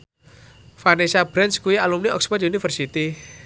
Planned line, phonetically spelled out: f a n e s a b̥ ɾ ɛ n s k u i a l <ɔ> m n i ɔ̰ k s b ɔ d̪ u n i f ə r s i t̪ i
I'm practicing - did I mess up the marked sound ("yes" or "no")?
yes